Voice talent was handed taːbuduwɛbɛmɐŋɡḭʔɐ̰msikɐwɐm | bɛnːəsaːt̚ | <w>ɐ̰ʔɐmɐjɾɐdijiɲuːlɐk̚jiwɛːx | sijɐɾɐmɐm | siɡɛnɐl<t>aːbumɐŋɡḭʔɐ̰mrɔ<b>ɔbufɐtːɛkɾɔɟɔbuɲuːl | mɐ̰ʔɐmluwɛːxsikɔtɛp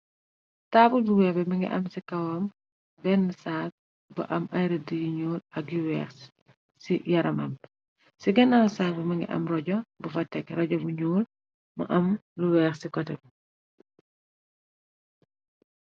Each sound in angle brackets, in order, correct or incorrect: incorrect: b, incorrect: s, incorrect: ɟ

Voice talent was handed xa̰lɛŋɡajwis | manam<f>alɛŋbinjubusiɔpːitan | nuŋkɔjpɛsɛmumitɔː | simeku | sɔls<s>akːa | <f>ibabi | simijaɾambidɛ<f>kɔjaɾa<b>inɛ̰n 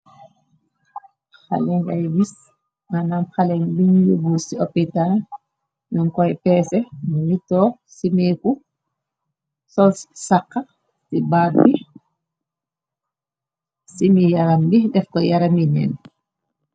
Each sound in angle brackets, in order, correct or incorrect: incorrect: x, correct, incorrect: s, correct, incorrect: m

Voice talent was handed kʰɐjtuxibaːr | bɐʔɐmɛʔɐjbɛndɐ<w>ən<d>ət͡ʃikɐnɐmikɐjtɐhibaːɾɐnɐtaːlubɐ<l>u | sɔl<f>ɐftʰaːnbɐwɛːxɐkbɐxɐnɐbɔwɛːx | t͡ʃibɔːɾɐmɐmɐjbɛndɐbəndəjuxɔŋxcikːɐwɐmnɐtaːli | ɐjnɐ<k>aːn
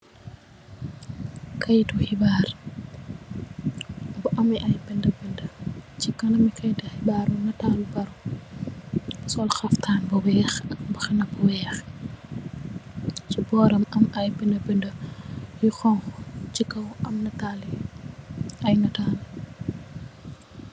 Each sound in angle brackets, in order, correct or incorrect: incorrect: b, correct, incorrect: ɾ, incorrect: x, incorrect: t

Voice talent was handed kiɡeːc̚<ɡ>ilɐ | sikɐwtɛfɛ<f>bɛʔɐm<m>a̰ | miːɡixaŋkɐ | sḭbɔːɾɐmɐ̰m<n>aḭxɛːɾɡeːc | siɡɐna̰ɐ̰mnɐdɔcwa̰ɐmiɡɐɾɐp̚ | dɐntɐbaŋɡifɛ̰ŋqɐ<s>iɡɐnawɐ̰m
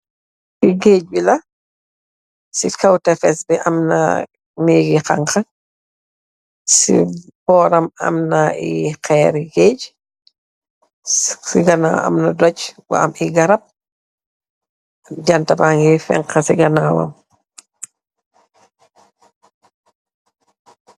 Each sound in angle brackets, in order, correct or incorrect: incorrect: b, incorrect: s, incorrect: n, correct, correct

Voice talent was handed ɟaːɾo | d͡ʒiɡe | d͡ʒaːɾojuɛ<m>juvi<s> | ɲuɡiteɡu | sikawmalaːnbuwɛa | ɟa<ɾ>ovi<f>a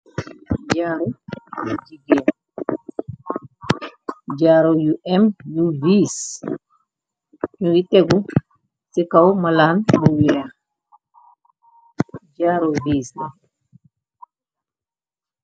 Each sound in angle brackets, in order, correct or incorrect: correct, correct, correct, incorrect: s

